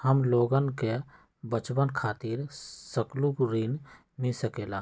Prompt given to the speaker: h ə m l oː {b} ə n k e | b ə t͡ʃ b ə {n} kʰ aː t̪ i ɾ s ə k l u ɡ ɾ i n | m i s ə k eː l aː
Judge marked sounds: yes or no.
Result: no, yes

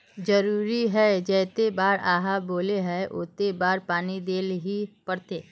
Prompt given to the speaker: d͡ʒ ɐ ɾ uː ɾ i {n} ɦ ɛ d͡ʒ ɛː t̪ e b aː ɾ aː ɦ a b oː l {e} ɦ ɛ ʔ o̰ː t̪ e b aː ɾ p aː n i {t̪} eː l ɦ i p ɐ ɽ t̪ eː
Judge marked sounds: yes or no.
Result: no, yes, no

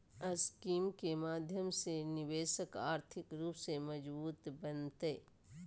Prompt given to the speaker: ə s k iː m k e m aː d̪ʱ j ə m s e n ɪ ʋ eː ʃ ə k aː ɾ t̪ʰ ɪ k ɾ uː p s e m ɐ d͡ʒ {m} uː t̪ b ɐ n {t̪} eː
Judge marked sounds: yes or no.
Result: no, yes

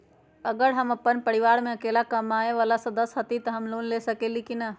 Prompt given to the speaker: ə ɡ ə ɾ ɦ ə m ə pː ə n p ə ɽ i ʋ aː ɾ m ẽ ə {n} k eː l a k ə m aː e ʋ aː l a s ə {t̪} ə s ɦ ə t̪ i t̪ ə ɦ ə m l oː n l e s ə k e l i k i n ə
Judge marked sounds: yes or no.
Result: no, no

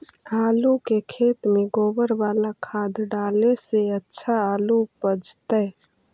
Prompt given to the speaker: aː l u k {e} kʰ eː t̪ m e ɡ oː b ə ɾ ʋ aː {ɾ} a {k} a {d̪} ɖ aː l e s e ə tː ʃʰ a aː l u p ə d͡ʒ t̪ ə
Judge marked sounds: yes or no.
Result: yes, no, no, yes

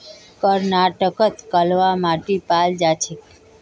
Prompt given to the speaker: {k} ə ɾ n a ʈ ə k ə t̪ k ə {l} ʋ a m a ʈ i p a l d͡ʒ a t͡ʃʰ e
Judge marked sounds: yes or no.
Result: yes, yes

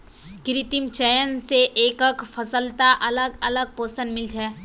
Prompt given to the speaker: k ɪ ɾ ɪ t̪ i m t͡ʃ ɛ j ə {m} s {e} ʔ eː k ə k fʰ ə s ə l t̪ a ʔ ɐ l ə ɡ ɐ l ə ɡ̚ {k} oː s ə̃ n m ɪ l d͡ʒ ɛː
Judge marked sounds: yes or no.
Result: no, yes, no

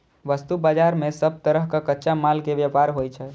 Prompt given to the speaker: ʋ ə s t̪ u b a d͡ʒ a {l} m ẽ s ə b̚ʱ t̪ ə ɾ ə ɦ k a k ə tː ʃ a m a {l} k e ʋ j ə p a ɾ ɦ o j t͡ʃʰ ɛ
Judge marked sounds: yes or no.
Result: no, yes

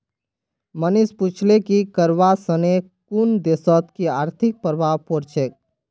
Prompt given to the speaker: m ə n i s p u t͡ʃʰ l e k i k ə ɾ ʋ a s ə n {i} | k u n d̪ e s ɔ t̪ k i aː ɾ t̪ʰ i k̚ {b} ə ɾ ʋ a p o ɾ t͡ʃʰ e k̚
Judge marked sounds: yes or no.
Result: no, no

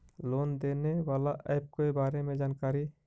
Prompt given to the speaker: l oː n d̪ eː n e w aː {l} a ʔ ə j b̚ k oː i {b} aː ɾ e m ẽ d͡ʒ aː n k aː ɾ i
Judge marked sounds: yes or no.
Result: yes, yes

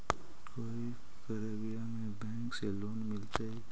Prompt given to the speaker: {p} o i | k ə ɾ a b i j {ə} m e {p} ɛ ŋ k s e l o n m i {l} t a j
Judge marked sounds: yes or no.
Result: no, no, no, yes

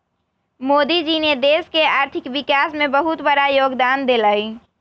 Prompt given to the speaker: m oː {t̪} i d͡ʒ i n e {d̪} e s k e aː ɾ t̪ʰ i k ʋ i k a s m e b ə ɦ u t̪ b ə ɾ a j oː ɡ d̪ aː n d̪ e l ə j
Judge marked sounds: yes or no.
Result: no, yes

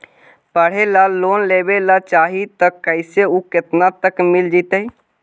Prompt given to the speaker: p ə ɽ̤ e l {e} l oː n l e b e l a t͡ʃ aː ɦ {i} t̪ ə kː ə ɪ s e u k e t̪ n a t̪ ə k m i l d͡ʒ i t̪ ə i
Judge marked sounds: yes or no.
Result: no, yes

